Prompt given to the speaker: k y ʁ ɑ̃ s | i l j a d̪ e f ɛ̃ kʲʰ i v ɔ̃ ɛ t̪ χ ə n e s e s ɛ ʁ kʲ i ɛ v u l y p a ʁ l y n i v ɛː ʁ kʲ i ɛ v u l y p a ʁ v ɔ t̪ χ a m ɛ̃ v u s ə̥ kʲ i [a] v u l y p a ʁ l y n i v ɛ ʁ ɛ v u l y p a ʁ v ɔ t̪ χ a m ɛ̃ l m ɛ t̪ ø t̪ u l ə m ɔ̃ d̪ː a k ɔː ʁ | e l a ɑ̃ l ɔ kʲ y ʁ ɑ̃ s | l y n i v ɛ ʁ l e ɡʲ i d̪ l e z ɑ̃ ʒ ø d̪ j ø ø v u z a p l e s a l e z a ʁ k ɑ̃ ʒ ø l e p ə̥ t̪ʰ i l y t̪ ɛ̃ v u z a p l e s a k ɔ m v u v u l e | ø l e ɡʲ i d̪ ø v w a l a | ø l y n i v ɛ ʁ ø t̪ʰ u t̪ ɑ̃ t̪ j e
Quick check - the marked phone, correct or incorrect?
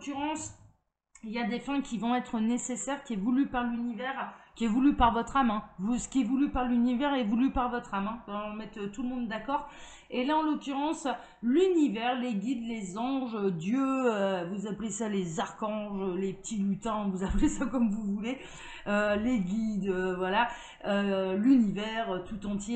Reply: incorrect